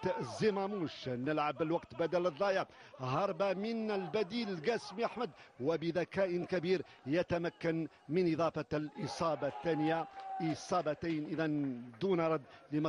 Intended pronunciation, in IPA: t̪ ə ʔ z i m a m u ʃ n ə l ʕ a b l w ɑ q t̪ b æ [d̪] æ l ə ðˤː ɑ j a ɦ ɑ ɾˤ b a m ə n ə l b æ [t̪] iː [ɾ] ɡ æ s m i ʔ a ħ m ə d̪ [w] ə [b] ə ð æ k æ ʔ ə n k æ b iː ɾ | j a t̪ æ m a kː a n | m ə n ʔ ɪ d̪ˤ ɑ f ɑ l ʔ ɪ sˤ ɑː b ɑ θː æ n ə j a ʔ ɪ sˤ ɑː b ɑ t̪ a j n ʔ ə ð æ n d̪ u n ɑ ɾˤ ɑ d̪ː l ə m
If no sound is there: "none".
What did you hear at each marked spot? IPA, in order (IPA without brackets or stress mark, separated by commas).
d̪, d̪, l, w, b